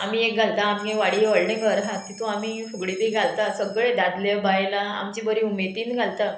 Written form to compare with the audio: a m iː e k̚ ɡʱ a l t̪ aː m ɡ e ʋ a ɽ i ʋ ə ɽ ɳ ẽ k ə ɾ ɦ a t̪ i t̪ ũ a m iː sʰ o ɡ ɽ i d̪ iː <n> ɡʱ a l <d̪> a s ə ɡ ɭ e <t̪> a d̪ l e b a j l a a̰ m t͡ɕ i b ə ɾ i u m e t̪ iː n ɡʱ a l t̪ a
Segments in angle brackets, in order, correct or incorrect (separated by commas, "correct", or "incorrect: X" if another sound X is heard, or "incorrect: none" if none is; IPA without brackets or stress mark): incorrect: none, incorrect: t̪, incorrect: d̪